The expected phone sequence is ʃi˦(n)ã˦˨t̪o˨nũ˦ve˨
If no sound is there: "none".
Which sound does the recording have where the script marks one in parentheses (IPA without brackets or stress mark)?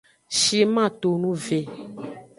m